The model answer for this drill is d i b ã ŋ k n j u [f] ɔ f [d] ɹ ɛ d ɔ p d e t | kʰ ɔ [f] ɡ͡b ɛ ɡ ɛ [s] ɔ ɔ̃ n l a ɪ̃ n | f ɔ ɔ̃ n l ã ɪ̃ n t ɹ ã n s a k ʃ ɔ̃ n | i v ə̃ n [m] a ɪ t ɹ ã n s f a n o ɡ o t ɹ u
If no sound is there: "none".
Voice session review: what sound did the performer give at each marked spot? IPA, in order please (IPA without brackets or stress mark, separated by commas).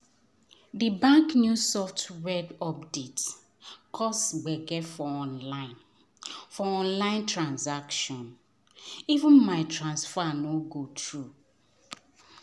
s, t, s, f, m